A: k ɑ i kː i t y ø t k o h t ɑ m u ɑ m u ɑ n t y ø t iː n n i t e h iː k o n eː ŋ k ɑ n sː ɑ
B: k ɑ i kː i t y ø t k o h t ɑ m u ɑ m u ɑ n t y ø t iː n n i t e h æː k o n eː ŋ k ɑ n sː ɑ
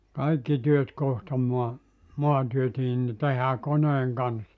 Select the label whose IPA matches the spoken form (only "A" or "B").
B